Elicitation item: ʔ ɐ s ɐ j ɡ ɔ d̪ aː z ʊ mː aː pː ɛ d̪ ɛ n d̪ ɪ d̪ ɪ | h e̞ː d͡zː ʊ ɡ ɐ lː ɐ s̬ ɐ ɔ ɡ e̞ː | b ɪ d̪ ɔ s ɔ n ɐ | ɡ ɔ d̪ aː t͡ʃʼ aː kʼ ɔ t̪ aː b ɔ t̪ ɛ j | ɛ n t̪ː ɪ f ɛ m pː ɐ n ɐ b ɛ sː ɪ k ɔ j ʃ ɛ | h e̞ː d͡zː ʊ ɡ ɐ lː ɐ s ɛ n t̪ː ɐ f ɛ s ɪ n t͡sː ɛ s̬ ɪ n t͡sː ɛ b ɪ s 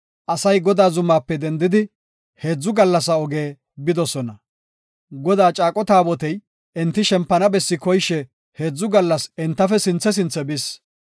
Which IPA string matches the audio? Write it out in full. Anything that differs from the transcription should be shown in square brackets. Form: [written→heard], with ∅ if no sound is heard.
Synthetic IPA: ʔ ɐ s ɐ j ɡ ɔ d̪ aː z ʊ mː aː pː ɛ d̪ ɛ n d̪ ɪ d̪ ɪ | h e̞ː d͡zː ʊ ɡ ɐ lː ɐ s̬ ɐ ɔ ɡ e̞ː | b ɪ d̪ ɔ s ɔ n ɐ | ɡ ɔ d̪ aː t͡ʃʼ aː kʼ ɔ t̪ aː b ɔ t̪ ɛ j | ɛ n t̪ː ɪ [f→ʃ] ɛ m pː ɐ n ɐ b ɛ sː ɪ k ɔ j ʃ ɛ | h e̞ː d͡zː ʊ ɡ ɐ lː ɐ s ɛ n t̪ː ɐ f ɛ s ɪ n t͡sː ɛ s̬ ɪ n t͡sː ɛ b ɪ s